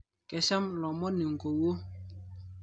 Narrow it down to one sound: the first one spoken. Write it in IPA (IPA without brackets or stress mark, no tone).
k